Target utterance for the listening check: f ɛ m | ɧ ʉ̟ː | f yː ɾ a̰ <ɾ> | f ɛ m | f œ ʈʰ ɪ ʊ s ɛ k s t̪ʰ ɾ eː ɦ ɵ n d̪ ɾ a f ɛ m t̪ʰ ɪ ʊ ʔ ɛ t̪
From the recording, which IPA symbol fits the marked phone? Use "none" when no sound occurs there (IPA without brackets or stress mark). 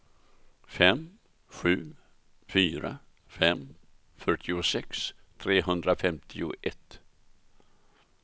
none